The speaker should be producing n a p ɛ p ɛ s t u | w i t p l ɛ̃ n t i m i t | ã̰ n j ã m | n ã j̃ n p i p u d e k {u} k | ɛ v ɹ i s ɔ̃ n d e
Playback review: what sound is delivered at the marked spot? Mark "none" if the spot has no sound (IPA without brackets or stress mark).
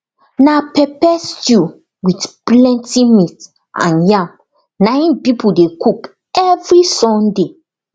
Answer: u